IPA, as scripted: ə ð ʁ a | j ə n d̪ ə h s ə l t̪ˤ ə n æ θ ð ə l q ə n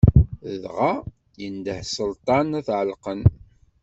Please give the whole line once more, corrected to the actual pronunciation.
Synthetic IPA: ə ð ʁ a | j ə n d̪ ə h s ə l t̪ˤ ɑ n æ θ ʕ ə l q ə n